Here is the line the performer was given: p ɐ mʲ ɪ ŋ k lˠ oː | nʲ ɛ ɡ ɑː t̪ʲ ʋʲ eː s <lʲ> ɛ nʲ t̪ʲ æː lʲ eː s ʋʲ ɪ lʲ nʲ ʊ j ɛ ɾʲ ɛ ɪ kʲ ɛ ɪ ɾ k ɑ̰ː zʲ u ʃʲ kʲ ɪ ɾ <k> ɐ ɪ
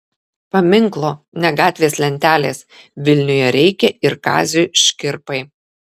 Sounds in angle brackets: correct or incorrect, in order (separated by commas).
correct, incorrect